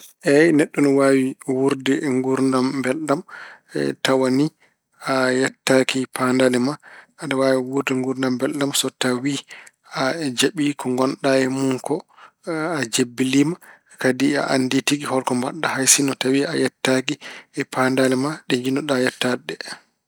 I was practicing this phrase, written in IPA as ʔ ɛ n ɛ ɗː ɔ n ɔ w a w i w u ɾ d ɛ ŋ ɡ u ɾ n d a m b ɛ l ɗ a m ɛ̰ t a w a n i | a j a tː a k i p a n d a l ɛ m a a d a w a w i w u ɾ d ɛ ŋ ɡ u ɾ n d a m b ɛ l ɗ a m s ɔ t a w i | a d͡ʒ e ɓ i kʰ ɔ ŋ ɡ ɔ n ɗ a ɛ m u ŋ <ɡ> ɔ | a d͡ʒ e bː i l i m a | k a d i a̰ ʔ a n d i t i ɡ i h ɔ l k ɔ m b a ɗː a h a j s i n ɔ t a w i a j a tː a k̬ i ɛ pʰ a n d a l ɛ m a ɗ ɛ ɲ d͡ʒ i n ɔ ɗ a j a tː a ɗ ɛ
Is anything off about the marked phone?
yes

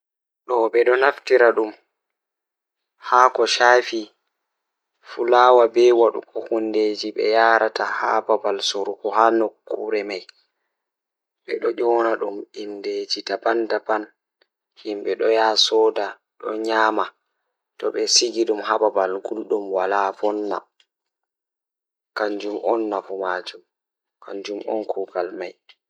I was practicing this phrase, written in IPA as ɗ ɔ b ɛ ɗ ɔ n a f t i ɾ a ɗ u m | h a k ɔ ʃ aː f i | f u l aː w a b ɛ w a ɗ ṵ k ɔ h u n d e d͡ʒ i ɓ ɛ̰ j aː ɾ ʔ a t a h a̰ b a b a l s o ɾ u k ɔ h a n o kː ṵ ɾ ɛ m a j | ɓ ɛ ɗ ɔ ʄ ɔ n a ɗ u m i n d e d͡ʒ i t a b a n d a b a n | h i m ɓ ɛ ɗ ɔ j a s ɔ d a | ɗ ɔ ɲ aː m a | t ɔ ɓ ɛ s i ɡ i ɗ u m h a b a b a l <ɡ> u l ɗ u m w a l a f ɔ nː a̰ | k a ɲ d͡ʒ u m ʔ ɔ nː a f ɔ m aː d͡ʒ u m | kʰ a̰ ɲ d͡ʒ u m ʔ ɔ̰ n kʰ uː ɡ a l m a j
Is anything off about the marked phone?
no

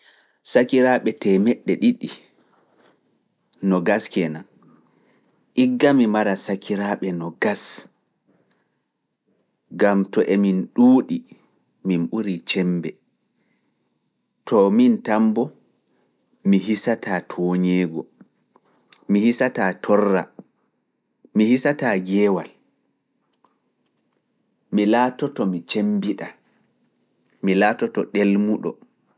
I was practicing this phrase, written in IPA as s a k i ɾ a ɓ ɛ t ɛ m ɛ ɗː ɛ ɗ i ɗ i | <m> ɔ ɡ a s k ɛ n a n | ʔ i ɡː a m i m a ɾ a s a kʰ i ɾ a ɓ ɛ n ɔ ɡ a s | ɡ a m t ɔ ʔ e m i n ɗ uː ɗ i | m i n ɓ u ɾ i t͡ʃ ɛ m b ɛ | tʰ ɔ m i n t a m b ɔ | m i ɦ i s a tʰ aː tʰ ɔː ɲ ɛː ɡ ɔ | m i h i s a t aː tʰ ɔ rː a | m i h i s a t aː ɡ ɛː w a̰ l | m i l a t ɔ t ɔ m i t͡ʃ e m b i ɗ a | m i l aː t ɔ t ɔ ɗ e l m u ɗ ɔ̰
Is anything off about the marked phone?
yes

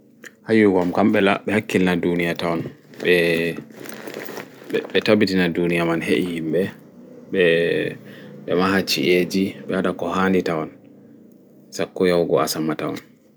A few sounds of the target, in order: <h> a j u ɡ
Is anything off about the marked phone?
no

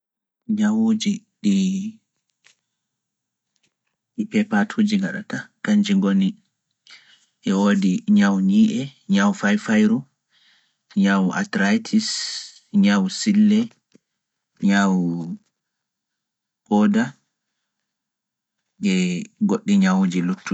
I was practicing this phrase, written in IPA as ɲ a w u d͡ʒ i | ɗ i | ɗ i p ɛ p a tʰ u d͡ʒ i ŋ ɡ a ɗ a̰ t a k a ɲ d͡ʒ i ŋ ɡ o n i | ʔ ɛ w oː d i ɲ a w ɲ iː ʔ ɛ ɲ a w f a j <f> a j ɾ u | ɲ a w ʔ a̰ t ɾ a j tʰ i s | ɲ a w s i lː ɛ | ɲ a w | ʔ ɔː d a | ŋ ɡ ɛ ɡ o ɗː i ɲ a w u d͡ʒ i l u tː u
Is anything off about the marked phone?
no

